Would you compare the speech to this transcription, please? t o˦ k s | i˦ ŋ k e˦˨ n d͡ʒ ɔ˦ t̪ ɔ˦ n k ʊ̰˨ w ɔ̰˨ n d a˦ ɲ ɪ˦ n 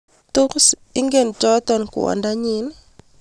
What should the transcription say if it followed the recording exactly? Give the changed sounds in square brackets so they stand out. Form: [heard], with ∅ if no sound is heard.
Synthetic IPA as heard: t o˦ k s | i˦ ŋ [ɡ] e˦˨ n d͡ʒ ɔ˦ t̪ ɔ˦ n k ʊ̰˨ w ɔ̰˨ n d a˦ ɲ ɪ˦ n